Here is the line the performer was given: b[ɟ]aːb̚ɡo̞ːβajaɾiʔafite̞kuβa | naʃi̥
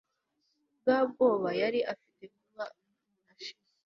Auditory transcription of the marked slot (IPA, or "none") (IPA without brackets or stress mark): ɡ